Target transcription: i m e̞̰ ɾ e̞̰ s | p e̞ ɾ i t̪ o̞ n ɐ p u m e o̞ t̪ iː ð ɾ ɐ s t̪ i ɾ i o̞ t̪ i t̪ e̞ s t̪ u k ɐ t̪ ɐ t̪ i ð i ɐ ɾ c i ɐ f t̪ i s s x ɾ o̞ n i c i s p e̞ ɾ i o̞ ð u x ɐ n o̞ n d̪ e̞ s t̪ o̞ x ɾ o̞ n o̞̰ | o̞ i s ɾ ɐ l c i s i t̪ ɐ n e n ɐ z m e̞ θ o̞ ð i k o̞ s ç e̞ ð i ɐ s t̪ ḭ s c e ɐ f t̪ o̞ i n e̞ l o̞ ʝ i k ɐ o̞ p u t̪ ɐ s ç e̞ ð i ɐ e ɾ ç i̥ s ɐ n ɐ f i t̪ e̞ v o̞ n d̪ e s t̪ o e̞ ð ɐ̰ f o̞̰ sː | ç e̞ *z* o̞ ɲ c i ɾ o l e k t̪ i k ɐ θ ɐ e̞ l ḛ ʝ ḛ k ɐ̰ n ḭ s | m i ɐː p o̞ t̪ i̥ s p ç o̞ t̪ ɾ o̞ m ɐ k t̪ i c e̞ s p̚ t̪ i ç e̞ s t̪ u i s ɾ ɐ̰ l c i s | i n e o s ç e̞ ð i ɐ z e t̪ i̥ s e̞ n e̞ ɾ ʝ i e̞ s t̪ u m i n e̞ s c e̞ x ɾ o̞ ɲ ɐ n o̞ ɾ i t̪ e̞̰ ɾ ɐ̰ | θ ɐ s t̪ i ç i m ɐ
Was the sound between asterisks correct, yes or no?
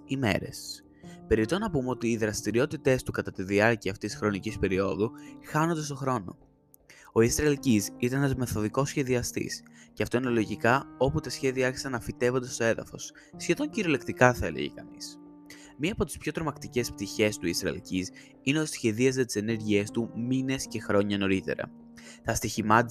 no